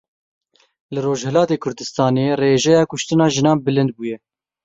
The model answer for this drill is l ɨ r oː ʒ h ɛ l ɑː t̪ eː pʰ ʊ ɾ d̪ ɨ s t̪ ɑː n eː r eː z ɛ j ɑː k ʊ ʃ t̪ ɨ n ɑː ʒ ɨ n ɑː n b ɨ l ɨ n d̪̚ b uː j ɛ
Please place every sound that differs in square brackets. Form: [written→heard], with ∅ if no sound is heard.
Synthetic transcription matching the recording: l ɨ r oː ʒ h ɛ l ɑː t̪ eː [pʰ→kʰ] ʊ ɾ d̪ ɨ s t̪ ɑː n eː r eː [z→ʒ] ɛ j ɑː k ʊ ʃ t̪ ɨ n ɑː ʒ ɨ n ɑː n b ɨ l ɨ n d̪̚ b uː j ɛ